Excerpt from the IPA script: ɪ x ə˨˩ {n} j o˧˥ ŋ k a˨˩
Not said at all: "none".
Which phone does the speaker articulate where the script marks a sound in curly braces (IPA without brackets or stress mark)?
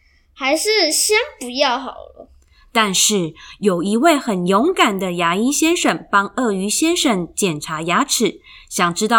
n